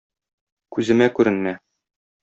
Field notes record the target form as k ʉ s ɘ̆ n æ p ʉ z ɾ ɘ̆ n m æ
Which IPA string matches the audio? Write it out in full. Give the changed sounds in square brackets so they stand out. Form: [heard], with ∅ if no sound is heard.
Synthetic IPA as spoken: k ʉ [z] ɘ̆ [m] æ [k] ʉ [∅] ɾ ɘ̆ n m æ